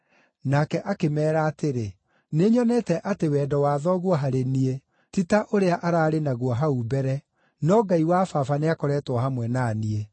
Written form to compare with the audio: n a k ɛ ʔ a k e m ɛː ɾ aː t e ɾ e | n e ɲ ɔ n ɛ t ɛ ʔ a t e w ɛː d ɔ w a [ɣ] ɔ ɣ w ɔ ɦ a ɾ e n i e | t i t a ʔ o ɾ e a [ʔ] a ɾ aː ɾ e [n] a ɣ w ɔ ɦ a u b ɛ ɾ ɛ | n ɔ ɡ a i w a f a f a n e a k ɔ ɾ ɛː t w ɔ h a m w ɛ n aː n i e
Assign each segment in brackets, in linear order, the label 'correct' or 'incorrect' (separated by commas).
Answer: incorrect, correct, correct